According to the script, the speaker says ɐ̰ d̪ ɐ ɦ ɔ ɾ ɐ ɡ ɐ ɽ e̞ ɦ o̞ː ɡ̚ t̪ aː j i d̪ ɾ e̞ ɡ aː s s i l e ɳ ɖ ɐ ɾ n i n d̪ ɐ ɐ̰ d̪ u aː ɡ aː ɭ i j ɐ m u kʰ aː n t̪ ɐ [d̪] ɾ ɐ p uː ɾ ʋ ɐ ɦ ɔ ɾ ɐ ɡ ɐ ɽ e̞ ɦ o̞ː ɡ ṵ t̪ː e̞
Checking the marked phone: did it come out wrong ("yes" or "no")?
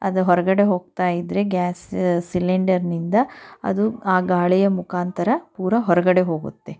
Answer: yes